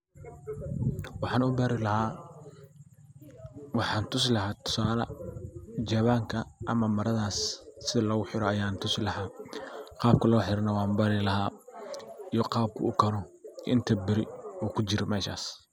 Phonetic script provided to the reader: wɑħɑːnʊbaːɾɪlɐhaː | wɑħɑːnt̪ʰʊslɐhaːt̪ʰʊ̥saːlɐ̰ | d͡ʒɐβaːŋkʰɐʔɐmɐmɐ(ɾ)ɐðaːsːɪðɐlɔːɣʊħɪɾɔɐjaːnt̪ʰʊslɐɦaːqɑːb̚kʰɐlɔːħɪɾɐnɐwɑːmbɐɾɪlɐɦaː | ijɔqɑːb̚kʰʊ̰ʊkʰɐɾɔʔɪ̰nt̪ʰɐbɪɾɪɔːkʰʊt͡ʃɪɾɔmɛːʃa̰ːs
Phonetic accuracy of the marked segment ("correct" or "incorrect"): correct